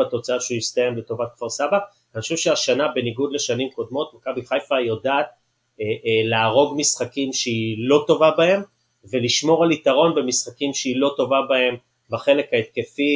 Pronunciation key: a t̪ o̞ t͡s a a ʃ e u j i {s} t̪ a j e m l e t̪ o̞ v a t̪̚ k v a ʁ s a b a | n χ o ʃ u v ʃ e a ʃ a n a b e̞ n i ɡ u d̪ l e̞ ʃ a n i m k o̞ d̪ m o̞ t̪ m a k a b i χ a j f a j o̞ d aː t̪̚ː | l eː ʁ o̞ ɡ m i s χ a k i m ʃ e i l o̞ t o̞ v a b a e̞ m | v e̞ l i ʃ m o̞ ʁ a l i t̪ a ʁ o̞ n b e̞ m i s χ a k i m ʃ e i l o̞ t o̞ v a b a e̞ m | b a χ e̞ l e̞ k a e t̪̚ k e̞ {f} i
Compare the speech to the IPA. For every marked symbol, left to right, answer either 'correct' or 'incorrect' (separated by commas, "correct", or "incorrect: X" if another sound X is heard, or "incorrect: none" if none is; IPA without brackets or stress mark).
correct, correct